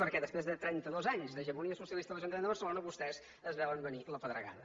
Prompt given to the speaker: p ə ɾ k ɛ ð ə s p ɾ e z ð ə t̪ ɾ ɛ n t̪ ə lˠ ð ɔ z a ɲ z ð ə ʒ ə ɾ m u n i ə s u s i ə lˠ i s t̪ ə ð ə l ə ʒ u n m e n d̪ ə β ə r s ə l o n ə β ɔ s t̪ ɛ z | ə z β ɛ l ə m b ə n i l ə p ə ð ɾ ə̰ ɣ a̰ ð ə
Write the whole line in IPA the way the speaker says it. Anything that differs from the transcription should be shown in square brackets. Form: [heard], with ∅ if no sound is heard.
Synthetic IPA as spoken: p ə ɾ k ɛ ð ə s p ɾ e z ð ə t̪ ɾ ɛ n t̪ ə [∅] ð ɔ z a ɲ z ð ə ʒ ə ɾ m u n i ə s u s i ə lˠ i s t̪ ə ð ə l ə ʒ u n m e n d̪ ə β ə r s ə l o n ə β [u] s t̪ ɛ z | ə z β ɛ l ə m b ə n i l ə p ə ð ɾ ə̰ ɣ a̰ ð ə